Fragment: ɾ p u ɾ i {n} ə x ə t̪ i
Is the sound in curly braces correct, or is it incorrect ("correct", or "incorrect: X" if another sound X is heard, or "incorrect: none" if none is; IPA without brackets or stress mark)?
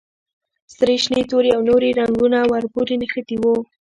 correct